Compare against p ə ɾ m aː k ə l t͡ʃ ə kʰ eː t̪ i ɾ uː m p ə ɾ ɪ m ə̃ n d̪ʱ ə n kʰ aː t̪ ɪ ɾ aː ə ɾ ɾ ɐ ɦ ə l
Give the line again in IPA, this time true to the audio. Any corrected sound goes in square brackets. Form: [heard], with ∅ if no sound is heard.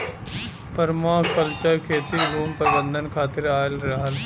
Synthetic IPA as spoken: p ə ɾ m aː k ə l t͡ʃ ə kʰ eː t̪ i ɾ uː m p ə ɾ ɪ [b] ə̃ n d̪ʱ ə n kʰ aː t̪ ɪ ɾ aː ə [l] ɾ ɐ ɦ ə l